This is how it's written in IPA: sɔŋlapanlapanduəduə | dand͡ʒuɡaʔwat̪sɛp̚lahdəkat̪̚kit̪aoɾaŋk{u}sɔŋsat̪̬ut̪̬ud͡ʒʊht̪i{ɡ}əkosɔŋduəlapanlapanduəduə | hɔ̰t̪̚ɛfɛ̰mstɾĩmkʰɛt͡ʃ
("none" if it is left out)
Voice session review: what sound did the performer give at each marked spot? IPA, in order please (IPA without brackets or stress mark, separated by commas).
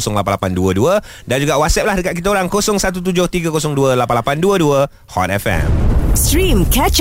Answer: o, ɡ